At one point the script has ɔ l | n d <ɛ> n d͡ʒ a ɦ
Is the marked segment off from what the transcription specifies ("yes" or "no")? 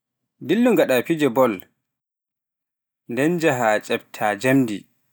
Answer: no